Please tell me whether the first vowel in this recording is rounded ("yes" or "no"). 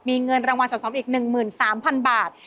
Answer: no